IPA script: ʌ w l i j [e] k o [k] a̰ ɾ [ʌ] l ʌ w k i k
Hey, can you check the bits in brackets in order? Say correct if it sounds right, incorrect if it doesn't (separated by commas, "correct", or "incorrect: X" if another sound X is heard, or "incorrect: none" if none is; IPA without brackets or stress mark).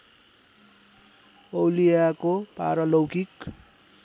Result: incorrect: a, incorrect: p, correct